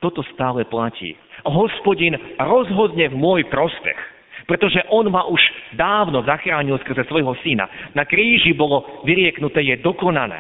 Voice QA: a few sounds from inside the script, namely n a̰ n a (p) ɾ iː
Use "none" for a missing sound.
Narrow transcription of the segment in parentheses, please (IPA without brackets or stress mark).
k